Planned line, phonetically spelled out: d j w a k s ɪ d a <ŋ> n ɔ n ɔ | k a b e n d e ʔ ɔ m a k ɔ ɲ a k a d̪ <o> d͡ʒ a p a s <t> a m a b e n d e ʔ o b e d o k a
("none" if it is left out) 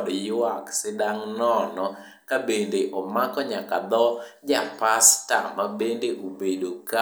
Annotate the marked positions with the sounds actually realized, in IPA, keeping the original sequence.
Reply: ŋ, ɔ, t

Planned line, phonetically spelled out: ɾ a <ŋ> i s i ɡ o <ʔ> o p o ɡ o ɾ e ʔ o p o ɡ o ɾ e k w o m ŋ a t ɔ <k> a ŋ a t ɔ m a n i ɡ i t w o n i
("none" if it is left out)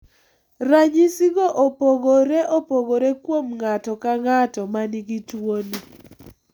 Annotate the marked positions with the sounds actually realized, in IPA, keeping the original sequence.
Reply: ɲ, ʔ, k

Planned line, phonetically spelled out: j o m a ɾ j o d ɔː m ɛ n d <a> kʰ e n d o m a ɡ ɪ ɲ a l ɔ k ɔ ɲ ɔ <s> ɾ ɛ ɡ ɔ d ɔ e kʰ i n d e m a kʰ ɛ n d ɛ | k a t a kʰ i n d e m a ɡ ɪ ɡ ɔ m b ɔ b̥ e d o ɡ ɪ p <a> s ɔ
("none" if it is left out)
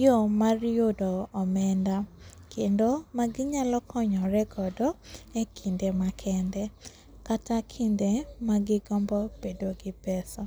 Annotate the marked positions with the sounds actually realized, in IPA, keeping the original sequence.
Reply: a, none, ɛ

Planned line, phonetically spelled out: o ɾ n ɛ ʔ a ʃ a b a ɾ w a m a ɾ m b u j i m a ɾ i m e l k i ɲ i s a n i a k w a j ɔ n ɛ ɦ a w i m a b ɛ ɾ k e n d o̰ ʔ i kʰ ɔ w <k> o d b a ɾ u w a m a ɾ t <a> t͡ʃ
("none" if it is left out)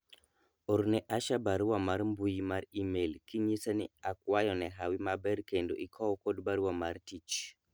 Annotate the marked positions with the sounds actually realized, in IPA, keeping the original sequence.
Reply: k, i

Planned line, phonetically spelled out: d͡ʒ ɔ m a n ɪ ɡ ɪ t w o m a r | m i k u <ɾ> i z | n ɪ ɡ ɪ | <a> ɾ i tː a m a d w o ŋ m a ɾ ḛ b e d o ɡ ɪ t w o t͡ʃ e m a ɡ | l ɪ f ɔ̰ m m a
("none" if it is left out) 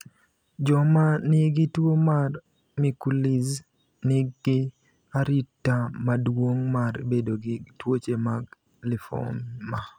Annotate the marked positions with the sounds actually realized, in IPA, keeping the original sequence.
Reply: l, a

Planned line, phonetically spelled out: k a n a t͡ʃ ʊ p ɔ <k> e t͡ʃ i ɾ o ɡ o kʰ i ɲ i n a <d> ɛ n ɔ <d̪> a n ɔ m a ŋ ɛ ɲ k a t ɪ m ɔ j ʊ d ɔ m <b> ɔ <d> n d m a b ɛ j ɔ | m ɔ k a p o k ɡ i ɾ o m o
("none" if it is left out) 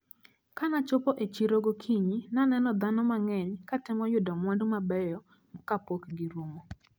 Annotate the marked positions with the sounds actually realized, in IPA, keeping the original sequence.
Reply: ʔ, n, d̪, w, none

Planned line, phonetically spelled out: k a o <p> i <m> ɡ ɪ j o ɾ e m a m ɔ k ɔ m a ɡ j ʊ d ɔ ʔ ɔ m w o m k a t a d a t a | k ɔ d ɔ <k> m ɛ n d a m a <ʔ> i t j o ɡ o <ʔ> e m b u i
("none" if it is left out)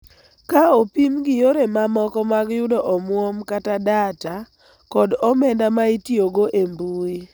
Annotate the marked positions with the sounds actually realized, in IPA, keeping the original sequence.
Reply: p, m, none, none, ʔ

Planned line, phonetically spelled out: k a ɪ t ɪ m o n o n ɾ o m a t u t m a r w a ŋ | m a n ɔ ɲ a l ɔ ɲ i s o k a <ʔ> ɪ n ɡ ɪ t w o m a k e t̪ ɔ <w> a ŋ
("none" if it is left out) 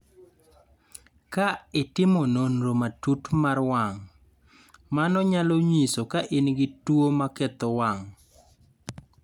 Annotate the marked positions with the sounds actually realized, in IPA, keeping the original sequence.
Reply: ʔ, w

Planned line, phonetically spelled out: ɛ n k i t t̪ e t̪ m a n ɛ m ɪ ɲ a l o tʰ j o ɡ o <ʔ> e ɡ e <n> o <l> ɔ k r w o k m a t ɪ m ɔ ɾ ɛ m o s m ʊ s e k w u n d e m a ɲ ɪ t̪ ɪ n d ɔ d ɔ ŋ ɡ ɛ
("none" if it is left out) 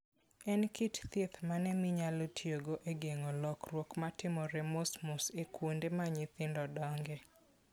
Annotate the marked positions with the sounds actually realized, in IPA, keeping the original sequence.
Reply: ʔ, ŋ, l

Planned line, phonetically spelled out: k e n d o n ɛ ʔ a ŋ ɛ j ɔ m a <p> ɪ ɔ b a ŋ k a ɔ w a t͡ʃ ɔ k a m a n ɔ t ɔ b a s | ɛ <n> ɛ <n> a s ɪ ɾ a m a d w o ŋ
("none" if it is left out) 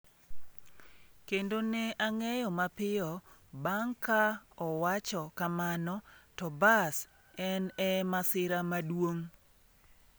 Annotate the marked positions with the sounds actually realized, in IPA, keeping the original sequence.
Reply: p, n, m

